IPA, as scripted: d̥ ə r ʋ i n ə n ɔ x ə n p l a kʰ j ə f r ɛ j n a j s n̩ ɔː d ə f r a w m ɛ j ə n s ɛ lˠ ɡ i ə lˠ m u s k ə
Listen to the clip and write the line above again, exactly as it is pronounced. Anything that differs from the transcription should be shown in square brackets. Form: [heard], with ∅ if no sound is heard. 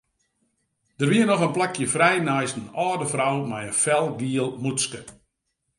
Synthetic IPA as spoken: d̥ ə r ʋ i [∅] ə n ɔ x ə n p l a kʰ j ə f r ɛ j n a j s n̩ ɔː d ə f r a w m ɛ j ə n [f] ɛ lˠ ɡ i ə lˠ m u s k ə